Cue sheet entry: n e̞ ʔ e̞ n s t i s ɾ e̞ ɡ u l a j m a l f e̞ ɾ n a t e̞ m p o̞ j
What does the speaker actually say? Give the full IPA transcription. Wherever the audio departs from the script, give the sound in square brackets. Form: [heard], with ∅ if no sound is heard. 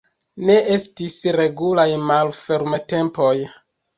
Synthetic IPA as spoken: n e̞ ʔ e̞ [∅] s t i s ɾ e̞ ɡ u l a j m a l f e̞ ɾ [m] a t e̞ m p o̞ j